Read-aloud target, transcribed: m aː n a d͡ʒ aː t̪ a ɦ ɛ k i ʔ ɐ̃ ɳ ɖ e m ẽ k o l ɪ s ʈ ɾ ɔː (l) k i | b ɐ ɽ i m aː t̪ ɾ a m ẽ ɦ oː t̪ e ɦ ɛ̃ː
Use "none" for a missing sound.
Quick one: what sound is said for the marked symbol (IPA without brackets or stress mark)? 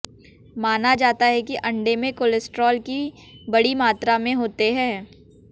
l